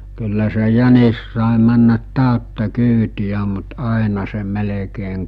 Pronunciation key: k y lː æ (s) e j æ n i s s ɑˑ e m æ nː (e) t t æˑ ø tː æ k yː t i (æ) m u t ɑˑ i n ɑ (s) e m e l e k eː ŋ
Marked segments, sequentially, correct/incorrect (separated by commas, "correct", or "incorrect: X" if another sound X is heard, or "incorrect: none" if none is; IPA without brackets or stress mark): correct, incorrect: æ, correct, correct